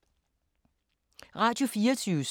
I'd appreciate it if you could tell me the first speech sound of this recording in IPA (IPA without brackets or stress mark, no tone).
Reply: ʁ